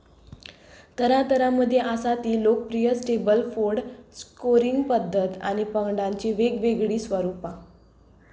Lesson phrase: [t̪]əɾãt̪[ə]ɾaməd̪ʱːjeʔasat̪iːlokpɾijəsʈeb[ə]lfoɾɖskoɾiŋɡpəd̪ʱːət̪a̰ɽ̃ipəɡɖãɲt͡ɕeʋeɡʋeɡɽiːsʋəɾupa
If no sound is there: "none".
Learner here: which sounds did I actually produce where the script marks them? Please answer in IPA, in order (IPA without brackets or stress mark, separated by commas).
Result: t̪, ə, ə